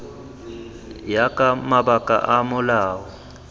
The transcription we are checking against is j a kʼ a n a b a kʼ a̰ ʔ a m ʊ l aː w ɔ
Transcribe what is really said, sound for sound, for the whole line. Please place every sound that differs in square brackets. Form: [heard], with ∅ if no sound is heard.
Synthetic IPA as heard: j a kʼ a [m] a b a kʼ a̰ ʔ a m ʊ l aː w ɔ